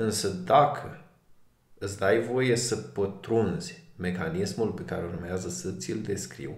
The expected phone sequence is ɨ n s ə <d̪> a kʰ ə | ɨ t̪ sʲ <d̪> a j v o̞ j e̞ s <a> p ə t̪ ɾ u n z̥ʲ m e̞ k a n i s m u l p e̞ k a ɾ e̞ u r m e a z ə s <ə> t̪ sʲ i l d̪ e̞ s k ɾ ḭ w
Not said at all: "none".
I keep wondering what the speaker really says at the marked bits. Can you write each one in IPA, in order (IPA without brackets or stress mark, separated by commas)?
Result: d̪, d̪, ə, ə